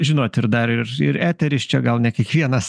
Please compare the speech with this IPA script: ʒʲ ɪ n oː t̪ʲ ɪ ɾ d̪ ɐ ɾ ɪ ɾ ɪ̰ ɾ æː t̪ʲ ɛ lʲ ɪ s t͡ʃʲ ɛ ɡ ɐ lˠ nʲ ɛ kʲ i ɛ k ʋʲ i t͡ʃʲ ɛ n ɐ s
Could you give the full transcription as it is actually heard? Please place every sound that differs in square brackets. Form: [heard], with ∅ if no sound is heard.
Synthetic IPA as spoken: ʒʲ ɪ n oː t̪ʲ ɪ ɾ d̪ ɐ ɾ ɪ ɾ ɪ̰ ɾ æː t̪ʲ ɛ [ɾʲ] ɪ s t͡ʃʲ ɛ ɡ ɐ lˠ nʲ ɛ kʲ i ɛ k ʋʲ i [∅] ɛ n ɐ s